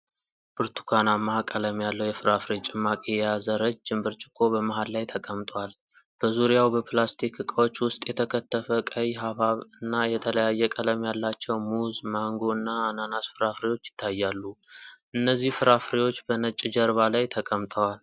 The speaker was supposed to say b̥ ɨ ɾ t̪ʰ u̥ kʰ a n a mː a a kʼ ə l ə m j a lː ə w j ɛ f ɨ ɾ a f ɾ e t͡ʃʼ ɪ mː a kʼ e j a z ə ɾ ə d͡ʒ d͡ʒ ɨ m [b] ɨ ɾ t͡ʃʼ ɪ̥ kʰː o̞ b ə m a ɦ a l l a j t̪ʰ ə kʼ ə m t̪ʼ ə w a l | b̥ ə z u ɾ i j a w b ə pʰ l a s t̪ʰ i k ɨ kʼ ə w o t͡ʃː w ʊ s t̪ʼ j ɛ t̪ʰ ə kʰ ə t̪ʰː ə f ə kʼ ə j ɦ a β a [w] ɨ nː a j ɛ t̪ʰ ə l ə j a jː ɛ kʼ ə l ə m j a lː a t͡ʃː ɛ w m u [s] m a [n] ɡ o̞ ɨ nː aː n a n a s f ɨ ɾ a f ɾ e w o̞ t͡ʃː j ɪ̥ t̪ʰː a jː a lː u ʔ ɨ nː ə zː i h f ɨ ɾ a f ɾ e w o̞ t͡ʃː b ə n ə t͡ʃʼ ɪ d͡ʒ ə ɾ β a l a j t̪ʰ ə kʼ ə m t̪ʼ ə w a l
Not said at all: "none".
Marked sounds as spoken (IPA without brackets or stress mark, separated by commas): b, β, z, ŋ